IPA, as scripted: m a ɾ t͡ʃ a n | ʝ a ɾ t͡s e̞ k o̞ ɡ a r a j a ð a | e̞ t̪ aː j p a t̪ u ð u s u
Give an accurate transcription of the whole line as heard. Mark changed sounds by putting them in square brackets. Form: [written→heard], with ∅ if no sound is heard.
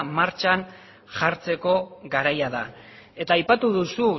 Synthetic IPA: m a ɾ t͡ʃ a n | ʝ a ɾ t͡s e̞ k o̞ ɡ a [r→ɾ] a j a ð a | e̞ t̪ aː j p a t̪ u ð u s u